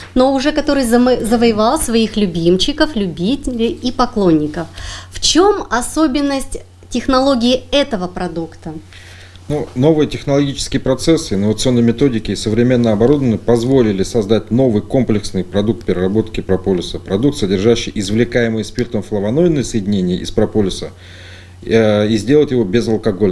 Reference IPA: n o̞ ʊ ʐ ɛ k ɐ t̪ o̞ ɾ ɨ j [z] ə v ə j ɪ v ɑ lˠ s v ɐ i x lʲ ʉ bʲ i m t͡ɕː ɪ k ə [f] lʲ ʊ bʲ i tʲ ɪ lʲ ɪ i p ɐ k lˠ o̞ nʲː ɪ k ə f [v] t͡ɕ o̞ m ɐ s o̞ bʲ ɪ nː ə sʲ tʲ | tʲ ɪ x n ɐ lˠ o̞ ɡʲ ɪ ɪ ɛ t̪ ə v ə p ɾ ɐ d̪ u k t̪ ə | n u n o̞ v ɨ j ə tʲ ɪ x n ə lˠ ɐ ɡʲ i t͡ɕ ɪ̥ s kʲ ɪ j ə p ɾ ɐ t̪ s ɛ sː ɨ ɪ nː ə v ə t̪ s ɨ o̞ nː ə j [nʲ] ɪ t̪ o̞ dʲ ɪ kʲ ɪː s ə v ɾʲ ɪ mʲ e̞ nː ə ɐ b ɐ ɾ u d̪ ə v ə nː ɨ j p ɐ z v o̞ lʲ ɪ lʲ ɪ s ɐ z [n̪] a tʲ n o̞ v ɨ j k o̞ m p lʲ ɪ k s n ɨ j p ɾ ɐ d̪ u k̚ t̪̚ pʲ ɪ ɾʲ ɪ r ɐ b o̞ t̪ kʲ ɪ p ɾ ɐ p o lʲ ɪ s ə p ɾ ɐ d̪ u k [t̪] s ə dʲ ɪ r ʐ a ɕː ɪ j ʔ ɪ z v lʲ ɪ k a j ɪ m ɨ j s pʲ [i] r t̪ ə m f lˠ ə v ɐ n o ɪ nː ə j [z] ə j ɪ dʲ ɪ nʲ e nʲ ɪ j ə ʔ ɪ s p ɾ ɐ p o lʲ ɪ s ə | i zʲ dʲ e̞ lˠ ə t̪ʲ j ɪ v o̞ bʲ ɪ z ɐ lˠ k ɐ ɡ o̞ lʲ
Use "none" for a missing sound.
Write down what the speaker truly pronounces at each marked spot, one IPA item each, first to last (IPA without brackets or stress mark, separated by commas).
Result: z, f, f, mʲ, d̪, t̪, i, s